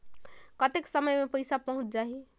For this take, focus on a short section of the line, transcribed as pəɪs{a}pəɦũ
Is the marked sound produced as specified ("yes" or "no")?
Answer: yes